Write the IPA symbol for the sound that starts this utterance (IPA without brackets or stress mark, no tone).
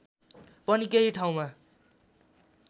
p